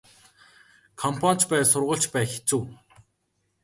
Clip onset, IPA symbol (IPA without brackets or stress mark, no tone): kʰ